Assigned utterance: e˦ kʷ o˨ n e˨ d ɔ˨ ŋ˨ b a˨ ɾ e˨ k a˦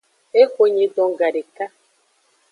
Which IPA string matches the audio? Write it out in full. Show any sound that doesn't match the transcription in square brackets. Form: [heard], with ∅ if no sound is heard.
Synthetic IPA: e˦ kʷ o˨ [ɲ] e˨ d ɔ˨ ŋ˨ [ɡ] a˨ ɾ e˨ k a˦